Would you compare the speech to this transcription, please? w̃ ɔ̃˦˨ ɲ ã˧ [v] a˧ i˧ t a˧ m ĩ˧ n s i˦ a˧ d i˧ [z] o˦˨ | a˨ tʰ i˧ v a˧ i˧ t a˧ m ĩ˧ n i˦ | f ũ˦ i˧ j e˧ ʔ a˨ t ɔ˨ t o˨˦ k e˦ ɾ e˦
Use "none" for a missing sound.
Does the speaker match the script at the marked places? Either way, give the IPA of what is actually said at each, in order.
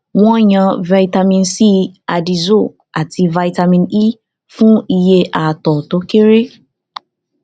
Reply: v, z

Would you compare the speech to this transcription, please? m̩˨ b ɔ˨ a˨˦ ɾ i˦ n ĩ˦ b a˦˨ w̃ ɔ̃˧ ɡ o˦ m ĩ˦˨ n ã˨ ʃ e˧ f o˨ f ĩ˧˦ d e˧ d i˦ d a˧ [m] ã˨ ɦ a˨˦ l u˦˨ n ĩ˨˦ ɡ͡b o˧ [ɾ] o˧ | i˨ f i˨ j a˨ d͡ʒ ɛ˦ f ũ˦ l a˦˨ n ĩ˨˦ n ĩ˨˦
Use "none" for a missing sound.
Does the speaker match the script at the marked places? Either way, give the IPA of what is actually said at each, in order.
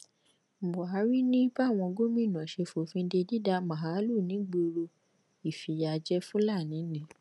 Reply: m, ɾ

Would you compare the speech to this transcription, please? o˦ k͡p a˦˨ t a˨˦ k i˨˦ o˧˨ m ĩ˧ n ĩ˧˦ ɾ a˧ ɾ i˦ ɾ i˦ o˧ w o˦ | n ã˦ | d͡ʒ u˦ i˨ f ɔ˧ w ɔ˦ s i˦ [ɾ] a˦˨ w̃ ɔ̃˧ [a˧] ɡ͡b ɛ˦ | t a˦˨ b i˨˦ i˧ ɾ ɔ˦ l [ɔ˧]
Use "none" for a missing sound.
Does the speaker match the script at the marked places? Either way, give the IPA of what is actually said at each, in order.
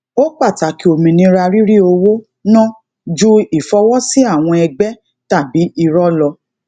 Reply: none, ɛ˧, ɔ˧

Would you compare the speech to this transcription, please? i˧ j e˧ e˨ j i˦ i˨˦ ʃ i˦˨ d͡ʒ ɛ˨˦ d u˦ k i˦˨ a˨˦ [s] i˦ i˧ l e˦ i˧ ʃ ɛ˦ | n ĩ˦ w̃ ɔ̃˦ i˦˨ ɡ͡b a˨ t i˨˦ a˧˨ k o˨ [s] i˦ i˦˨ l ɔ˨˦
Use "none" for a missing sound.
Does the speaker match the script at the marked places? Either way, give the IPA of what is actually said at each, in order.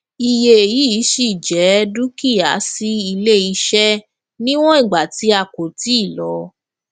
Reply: s, t

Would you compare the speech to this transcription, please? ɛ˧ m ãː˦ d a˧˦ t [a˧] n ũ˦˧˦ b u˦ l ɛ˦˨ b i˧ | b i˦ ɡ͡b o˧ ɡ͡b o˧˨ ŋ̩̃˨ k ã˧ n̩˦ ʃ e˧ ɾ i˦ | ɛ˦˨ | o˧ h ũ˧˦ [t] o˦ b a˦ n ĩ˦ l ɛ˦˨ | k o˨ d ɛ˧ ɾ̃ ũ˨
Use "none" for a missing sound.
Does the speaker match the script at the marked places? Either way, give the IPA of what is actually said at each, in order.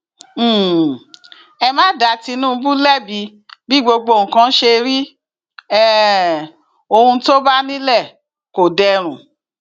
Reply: i˧, t

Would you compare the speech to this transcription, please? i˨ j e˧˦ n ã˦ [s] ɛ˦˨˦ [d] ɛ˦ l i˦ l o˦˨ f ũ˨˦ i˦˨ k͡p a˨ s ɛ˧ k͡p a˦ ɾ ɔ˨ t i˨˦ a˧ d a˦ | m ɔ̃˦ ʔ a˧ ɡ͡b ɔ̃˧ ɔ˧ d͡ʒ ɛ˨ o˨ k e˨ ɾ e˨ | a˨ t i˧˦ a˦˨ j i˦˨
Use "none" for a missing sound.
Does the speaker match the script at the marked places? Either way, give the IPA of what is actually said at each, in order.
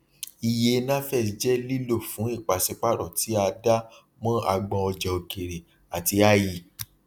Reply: f, d͡ʒ

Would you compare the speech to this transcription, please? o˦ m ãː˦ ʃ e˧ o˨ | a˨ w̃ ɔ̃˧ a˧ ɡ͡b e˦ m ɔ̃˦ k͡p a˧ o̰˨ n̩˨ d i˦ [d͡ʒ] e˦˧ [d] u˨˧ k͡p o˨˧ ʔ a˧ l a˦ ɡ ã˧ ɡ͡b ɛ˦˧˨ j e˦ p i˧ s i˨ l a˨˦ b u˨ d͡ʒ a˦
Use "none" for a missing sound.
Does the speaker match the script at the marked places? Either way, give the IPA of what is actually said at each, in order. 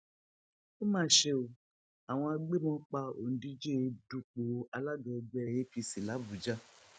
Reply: d͡ʒ, d

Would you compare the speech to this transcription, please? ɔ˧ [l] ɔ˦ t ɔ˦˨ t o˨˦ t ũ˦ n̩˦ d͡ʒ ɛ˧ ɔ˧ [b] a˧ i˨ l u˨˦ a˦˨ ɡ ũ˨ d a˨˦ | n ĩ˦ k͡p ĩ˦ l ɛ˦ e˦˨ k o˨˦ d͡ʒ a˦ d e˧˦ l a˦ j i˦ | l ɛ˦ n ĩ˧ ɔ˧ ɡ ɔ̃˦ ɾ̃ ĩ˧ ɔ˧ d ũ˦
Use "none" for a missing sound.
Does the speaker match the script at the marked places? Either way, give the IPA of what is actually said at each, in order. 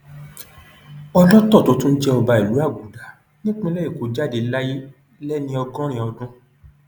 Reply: l, b

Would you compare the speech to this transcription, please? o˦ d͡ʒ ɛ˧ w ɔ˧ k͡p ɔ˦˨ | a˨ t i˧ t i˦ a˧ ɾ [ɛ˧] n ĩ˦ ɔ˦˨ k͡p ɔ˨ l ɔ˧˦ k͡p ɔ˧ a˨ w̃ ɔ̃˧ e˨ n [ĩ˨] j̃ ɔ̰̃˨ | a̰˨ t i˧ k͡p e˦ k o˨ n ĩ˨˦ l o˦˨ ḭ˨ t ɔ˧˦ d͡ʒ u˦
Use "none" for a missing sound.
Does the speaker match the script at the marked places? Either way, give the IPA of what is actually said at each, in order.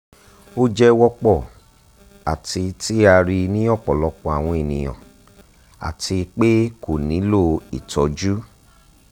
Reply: i˧, ĩ˨

